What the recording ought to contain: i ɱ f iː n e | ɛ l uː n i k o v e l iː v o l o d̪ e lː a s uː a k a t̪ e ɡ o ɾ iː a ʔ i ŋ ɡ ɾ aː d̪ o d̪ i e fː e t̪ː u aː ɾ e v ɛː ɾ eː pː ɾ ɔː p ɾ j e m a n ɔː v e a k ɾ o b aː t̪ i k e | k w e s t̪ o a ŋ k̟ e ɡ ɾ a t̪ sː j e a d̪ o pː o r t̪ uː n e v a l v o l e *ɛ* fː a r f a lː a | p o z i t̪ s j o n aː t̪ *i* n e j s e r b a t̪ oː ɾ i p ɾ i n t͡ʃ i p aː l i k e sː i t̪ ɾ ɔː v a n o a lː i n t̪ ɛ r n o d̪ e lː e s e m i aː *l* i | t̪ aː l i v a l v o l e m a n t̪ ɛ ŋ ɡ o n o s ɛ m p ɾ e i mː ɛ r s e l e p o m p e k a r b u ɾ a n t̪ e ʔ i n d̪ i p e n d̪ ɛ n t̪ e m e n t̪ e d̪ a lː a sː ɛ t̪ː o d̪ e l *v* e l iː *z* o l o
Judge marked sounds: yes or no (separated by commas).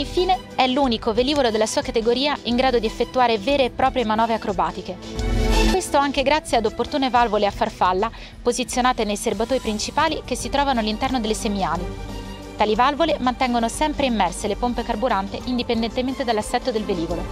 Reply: no, no, yes, yes, no